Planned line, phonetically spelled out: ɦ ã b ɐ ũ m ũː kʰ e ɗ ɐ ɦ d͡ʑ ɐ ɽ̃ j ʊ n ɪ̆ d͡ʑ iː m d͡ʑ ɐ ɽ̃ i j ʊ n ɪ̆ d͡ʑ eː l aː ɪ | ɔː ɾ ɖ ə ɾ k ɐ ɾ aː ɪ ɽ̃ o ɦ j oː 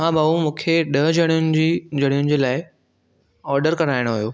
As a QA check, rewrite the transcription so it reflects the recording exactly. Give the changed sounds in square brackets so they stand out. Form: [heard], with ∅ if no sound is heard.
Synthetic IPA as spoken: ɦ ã b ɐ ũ m ũː kʰ e ɗ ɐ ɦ d͡ʑ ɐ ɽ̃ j ʊ n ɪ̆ d͡ʑ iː [∅] d͡ʑ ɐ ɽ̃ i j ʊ n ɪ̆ d͡ʑ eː l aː ɪ | ɔː ɾ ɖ ə ɾ k ɐ ɾ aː ɪ ɽ̃ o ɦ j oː